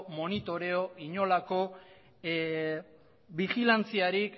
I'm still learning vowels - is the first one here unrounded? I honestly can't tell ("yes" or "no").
no